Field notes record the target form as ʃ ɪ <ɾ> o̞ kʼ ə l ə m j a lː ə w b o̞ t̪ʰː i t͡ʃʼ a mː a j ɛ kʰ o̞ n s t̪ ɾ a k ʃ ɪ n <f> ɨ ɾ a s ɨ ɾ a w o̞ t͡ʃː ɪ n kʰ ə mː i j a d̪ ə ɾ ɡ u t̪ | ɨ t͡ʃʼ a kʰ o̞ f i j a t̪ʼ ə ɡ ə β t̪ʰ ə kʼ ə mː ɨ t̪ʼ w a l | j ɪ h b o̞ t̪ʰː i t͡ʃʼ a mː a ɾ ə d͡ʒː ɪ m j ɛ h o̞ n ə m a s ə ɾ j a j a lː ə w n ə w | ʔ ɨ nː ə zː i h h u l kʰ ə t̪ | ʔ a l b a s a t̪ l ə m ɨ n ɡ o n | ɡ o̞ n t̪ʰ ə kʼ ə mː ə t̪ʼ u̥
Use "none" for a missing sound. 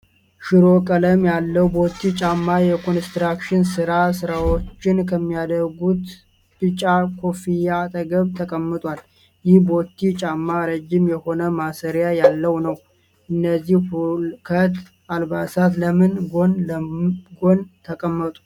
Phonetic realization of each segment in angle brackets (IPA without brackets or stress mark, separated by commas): ɾ, s